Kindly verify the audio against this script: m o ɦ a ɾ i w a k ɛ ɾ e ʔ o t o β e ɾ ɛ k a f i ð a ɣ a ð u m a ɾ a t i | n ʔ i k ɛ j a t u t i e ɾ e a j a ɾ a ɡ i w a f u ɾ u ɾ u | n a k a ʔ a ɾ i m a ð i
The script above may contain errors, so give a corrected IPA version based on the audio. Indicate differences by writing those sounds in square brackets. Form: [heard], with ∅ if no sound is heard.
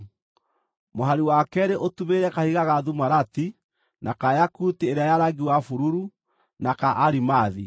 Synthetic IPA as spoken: m o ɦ a ɾ i w a k ɛ ɾ e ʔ o t [u] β e ɾ ɛ k a [h] i [ɣ] a ɣ a ð u m a ɾ a t i | n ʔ [a] k [a] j a [k] u t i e ɾ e a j a ɾ a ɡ i w a f u ɾ u ɾ u | n a k a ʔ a ɾ i m a ð i